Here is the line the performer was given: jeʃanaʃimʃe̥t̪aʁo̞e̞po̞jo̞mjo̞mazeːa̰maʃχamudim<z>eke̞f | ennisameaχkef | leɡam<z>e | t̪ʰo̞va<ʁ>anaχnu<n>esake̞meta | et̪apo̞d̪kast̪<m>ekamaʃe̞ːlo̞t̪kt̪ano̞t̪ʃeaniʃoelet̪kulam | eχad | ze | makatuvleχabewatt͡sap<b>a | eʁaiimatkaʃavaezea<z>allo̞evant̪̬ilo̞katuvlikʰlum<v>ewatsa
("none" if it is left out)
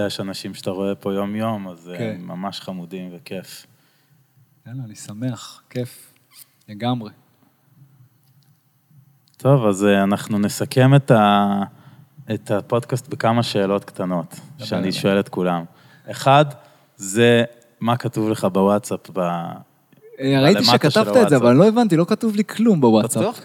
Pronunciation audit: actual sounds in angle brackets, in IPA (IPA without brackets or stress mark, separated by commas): v, ʁ, z, n, b, b, v, b